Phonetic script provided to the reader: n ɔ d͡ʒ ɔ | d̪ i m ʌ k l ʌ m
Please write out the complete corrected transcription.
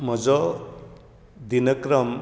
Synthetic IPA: m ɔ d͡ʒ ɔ | d̪ i n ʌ k ɾ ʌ m